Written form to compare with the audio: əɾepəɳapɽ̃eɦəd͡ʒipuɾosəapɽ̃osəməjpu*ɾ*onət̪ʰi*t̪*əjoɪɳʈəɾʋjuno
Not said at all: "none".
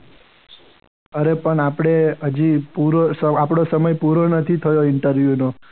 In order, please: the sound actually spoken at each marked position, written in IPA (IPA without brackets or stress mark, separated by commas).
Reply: ɾ, t̪ʰ